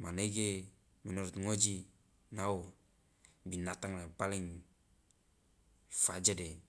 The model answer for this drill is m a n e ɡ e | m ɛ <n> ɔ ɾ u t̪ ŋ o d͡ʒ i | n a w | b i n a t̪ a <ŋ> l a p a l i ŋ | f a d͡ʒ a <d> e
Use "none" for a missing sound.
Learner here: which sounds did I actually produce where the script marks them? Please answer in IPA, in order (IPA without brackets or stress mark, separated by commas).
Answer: n, ŋ, d